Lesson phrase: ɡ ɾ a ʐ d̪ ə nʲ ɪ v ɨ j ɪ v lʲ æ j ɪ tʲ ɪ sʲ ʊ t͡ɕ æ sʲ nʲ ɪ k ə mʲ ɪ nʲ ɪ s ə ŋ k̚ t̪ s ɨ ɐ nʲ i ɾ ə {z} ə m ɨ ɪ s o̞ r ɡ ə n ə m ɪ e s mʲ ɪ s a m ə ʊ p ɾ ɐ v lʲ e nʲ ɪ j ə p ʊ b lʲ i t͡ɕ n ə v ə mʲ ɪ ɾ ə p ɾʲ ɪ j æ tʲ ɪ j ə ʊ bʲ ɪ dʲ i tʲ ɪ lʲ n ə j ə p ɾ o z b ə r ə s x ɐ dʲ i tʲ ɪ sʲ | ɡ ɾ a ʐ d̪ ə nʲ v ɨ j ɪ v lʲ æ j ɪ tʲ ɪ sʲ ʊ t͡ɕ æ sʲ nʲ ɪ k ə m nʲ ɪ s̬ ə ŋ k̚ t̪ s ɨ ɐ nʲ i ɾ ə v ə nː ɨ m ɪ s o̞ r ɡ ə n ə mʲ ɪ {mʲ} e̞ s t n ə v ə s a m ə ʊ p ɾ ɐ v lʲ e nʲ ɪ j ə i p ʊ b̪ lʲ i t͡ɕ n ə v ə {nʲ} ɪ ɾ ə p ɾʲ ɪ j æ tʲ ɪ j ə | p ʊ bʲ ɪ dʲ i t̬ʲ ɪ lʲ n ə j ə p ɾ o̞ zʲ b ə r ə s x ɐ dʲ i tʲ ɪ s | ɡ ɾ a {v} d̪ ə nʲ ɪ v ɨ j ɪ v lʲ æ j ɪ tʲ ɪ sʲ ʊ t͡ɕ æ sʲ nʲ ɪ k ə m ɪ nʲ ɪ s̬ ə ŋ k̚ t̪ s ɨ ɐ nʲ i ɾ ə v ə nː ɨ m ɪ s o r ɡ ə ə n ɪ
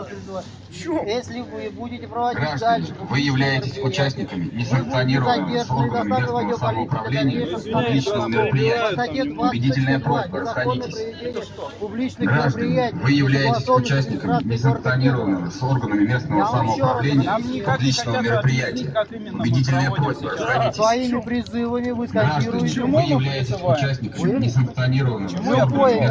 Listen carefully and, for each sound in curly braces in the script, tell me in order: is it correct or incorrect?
incorrect: v, correct, incorrect: mʲ, incorrect: ʐ

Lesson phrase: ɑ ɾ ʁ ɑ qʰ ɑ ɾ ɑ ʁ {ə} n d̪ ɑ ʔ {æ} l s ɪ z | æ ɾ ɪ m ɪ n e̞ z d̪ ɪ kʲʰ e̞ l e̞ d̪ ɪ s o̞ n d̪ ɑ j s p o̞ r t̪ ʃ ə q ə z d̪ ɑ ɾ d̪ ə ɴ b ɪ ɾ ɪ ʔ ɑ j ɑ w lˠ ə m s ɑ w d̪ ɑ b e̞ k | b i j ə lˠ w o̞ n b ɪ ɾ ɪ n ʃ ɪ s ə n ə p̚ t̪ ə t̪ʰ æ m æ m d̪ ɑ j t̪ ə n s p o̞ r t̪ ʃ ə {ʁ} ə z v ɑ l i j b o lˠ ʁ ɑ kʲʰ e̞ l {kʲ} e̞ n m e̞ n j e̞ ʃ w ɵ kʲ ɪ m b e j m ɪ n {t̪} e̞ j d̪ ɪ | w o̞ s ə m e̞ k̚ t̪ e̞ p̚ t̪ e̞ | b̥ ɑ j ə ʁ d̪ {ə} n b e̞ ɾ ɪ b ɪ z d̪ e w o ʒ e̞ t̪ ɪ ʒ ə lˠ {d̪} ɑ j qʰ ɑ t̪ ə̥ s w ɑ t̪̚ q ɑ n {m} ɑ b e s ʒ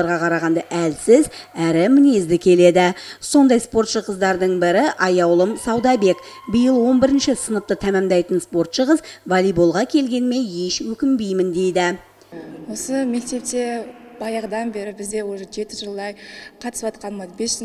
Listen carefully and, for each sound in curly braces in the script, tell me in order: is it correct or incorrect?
incorrect: ɑ, correct, correct, incorrect: ɡʲ, incorrect: d̪, incorrect: ɑ, correct, correct

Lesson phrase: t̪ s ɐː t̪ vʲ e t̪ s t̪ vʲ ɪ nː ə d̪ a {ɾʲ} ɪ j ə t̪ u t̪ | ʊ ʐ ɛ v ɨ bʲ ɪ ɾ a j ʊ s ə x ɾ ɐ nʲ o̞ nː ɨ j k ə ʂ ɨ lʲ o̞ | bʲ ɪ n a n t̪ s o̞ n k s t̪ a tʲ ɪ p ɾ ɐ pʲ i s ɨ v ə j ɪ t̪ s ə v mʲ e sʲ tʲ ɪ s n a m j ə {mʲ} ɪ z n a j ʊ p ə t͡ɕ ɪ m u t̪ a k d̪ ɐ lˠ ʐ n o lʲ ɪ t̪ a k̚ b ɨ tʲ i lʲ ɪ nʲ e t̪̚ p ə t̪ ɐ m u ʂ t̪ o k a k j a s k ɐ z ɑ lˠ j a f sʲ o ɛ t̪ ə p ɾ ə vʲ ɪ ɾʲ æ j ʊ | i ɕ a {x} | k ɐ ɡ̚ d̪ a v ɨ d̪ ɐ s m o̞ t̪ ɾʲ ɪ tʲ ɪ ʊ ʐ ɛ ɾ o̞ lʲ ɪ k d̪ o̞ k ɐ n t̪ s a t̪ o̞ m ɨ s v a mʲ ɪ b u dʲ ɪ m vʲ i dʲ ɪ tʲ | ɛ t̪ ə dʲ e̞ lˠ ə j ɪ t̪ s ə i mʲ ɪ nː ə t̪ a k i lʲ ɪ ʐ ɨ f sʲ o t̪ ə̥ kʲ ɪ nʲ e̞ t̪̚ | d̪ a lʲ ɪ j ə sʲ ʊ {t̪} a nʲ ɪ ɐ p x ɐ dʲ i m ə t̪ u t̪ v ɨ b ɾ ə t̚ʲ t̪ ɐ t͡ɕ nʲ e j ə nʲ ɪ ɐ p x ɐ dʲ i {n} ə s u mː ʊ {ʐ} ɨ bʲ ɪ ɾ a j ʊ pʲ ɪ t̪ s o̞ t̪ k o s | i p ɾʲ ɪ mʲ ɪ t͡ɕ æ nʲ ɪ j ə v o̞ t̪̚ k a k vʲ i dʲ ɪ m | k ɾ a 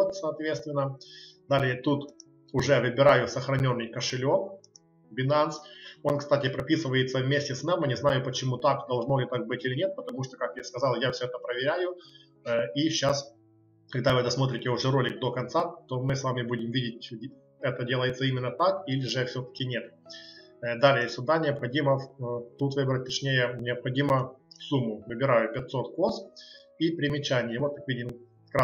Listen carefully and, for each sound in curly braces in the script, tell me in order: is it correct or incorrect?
incorrect: lʲ, incorrect: nʲ, incorrect: s, incorrect: d̪, incorrect: m, incorrect: v

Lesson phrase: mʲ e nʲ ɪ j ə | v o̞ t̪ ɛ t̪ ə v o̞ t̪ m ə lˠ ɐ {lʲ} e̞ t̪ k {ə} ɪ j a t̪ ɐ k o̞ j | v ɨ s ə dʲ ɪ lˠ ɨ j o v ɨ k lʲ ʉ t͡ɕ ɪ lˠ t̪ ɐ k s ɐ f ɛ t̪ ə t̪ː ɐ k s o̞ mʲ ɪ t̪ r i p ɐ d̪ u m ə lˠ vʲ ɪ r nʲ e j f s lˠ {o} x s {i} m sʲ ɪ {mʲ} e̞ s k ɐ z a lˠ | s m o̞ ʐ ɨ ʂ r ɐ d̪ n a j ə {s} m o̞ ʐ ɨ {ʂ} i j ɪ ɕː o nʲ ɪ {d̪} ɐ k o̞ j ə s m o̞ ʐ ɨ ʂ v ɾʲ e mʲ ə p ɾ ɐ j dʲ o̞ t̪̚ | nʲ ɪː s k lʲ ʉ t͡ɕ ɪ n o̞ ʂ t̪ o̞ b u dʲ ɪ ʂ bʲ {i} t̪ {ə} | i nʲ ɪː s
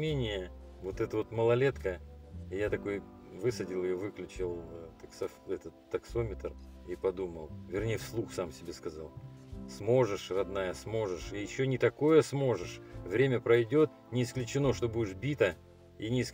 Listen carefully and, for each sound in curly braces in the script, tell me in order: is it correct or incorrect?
correct, correct, incorrect: u, incorrect: a, incorrect: bʲ, correct, correct, incorrect: t̪, correct, correct

